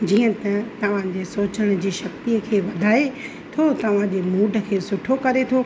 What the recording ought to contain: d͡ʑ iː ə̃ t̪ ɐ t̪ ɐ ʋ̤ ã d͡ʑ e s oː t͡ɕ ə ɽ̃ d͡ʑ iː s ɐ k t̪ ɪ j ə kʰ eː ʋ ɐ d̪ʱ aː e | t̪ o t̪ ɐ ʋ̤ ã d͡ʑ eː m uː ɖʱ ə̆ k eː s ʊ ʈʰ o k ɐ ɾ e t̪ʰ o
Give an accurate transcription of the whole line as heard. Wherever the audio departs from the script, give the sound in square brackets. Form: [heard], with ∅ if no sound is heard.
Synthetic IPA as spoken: d͡ʑ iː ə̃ t̪ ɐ t̪ ɐ ʋ̤ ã d͡ʑ e s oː t͡ɕ ə ɽ̃ d͡ʑ iː [ʃ] ɐ k t̪ [i] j ə kʰ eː ʋ ɐ d̪ʱ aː e | [t̪ʰ] o t̪ ɐ ʋ̤ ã d͡ʑ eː m uː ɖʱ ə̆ [kʰ] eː s ʊ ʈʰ o k ɐ ɾ e t̪ʰ o